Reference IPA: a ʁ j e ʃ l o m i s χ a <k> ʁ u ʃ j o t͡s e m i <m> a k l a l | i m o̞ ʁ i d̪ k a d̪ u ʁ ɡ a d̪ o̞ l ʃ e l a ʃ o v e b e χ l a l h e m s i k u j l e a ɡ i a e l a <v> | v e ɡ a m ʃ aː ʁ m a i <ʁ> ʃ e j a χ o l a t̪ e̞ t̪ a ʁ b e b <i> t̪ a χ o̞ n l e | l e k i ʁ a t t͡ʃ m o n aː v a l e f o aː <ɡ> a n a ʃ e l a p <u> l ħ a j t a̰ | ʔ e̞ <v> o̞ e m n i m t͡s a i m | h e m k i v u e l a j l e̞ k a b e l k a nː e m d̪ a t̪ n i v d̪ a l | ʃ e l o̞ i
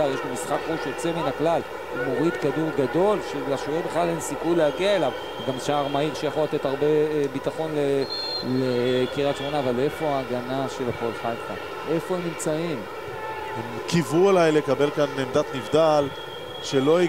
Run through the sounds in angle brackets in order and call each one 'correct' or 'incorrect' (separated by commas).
correct, incorrect, correct, correct, correct, correct, incorrect, incorrect